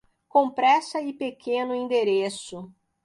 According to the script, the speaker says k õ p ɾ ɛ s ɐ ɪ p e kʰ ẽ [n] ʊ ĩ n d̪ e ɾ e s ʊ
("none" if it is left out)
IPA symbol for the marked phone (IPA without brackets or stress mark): n